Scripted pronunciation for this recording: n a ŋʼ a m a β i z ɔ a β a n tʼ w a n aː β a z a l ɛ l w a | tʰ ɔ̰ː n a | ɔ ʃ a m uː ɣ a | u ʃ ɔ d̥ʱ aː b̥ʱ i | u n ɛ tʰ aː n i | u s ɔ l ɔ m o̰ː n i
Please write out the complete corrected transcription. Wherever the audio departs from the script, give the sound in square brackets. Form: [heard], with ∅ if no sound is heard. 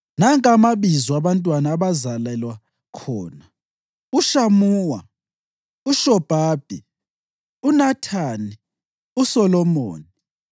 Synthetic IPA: n a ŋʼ a m a β i z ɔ a β a n tʼ w a n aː β a z a l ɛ l w a | [kʰ] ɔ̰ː n a | [u] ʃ a m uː [w] a | u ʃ ɔ [b̥ʱ] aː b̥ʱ i | u n [a] tʰ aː n i | u s ɔ l ɔ m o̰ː n i